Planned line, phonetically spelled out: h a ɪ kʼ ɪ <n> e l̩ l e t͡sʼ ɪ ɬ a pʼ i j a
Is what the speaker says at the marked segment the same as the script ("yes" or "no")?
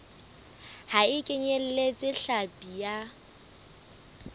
no